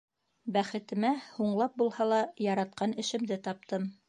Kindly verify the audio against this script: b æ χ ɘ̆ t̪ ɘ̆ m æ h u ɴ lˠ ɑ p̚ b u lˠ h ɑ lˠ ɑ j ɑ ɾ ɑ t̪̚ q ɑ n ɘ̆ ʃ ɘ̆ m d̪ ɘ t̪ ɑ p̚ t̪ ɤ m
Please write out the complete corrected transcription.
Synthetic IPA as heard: b æ χ ɘ̆ t̪ ɘ̆ m æ h u ɴ lˠ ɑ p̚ b u lˠ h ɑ lˠ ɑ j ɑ ɾ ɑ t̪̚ q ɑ n ɘ̆ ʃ ɘ̆ m d̪ ɘ t̪ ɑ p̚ t̪ ɤ m